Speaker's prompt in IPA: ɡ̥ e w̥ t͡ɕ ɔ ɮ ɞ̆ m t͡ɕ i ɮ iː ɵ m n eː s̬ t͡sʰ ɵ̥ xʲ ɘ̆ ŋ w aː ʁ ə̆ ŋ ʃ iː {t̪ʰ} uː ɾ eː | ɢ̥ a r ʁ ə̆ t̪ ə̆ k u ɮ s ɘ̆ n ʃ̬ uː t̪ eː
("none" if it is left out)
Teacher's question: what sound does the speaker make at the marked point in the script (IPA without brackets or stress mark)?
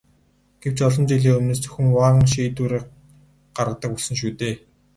t̪